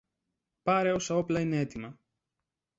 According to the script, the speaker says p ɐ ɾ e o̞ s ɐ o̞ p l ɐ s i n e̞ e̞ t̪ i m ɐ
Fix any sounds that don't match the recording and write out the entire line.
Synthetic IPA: p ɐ ɾ e o̞ s ɐ o̞ p l ɐ i n e̞ e̞ t̪ i m ɐ